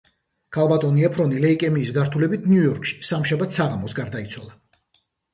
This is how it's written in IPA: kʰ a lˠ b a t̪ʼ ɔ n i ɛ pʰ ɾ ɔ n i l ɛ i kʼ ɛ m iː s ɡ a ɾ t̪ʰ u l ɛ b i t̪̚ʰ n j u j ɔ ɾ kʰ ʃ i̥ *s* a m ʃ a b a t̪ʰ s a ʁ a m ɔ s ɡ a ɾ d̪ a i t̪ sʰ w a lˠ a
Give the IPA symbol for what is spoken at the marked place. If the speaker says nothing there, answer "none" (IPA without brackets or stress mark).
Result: s